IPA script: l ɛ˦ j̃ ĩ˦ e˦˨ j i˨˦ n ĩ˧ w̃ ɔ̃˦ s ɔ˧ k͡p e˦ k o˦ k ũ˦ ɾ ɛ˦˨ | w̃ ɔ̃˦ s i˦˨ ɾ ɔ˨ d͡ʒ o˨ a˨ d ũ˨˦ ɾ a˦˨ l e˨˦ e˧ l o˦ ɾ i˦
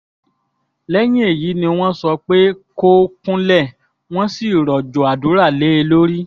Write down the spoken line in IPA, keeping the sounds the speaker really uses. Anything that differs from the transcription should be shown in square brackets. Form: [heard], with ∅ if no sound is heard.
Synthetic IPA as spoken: l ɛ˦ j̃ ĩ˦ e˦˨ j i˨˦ n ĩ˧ w̃ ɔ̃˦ s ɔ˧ k͡p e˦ k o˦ k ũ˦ [l] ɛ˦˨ | w̃ ɔ̃˦ s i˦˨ ɾ ɔ˨ d͡ʒ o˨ a˨ d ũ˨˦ ɾ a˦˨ l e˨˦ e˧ l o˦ ɾ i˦